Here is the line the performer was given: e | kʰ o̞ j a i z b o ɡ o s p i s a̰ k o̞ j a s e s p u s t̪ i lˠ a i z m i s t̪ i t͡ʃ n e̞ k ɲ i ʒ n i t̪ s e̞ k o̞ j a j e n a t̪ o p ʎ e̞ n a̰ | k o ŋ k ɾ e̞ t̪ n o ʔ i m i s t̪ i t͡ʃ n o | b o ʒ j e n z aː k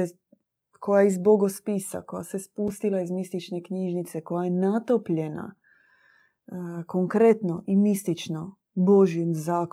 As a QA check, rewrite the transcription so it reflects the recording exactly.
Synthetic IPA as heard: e | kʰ o̞ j a i z b o ɡ o s p i s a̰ k o̞ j a s e s p u s t̪ i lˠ a i z m i s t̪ i t͡ʃ n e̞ k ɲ i ʒ n i t̪ s e̞ k o̞ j a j e n a t̪ o p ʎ e̞ n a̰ | k o ŋ k ɾ e̞ t̪ n o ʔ i m i s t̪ i t͡ʃ n o | b o ʒ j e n z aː k